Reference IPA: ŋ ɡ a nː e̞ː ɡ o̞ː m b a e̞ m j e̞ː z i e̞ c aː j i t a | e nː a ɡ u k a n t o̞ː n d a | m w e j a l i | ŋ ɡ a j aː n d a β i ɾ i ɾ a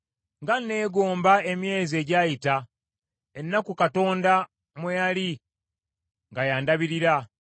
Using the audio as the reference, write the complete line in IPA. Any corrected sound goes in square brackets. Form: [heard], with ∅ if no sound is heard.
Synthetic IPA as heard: ŋ ɡ a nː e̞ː ɡ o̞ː m b a e̞ m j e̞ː z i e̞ [ɟ] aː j i t a | e nː a [k] u k a [∅] t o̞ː n d a | m w e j a l i | ŋ ɡ a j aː n d a β i ɾ i ɾ a